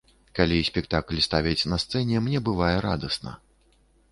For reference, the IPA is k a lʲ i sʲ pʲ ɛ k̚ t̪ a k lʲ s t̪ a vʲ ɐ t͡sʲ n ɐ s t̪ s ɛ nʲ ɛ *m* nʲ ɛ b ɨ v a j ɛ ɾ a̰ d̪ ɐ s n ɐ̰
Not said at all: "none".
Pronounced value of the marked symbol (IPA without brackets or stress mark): m